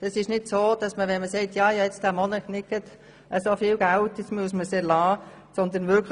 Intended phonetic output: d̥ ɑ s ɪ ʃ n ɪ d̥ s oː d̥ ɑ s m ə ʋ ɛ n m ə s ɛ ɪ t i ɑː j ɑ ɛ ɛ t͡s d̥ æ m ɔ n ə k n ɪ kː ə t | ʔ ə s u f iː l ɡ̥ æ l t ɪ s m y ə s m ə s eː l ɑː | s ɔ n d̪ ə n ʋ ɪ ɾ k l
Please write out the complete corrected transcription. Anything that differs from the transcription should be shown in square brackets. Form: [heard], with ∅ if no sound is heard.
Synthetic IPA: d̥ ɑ s ɪ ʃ n ɪ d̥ s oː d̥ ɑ s m ə ʋ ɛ n m ə s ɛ ɪ t [j] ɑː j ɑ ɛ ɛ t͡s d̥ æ m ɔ n ə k n ɪ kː ə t | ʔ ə s [o] f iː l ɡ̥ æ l t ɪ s m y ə s m ə s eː l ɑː | s ɔ n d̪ ə n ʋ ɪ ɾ k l

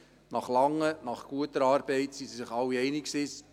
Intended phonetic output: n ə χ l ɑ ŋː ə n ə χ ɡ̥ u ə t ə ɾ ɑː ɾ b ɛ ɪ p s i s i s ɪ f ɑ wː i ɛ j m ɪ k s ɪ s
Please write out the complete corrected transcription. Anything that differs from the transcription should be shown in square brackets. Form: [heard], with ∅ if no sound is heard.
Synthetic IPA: n [ɑ] χ l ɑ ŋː ə n [ɑ] χ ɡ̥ u ə t ə ɾ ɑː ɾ b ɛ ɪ [t] s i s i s ɪ [χ] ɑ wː i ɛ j [n] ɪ k s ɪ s

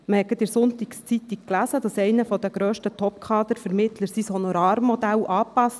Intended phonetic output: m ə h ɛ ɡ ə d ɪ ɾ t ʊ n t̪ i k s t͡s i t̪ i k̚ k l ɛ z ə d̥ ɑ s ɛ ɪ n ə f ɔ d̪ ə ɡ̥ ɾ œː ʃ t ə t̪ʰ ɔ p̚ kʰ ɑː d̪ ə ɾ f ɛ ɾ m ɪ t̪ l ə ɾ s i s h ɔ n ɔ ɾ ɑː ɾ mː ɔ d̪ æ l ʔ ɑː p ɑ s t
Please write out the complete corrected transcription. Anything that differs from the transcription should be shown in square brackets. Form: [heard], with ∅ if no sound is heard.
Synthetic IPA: m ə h ɛ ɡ ə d ɪ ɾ [s] ʊ n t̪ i k s t͡s i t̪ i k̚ k l [æ] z ə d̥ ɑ s ɛ ɪ n ə f ɔ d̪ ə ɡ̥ ɾ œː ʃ t ə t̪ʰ ɔ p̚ kʰ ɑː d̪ ə ɾ f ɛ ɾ m ɪ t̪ l ə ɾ s i s h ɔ n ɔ ɾ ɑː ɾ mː ɔ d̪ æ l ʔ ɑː p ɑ s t

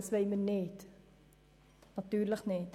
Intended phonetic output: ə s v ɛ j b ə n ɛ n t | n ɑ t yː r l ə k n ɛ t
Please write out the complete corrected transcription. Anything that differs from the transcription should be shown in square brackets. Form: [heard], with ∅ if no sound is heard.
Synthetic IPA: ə s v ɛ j [m] ə n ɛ [∅] t | n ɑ t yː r l ə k n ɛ t

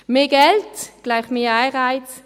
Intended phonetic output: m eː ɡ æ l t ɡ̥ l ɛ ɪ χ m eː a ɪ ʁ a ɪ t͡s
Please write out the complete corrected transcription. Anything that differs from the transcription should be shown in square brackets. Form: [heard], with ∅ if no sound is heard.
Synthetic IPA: m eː ɡ [ɛ] l t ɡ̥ l [a] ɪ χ m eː a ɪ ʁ a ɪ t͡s

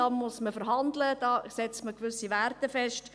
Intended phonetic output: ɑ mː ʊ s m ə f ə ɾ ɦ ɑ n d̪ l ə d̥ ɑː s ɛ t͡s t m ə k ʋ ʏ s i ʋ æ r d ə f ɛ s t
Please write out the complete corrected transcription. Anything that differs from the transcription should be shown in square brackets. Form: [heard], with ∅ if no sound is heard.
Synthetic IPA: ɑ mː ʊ s m ə f ə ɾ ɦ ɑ n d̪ l ə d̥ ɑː s ɛ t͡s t m ə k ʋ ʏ s i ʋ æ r [t] ə f ɛ [ʃ] t

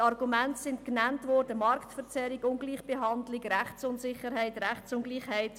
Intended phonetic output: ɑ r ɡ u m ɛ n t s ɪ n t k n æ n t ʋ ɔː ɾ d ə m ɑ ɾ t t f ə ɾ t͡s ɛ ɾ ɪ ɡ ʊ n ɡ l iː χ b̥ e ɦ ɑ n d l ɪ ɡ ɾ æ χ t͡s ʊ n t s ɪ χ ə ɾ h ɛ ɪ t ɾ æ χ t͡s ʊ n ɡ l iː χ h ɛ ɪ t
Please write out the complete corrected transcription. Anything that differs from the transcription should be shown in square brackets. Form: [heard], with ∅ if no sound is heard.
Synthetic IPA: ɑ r ɡ u m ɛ n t s ɪ n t k n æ n t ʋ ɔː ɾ d ə m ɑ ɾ [k] t f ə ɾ t͡s ɛ ɾ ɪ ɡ ʊ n ɡ l iː χ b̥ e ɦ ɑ n d l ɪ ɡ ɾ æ χ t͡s ʊ n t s ɪ χ ə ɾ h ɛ ɪ t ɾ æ χ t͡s ʊ n ɡ l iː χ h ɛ ɪ t

